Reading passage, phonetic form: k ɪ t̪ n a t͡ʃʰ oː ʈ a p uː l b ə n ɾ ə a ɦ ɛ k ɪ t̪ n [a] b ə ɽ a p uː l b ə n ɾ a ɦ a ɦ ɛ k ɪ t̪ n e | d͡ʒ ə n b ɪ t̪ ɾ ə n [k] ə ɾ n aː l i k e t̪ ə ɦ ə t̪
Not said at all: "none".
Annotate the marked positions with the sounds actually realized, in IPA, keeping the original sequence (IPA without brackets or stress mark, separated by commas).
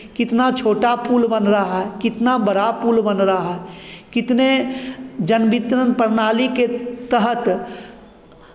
a, p